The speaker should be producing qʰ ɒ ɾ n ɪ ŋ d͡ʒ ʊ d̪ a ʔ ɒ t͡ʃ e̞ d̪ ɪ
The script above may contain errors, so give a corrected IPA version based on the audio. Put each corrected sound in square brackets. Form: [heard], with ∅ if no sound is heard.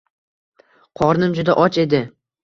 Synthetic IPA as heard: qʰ ɒ ɾ n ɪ [m] d͡ʒ ʊ d̪ a ʔ ɒ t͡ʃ e̞ d̪ ɪ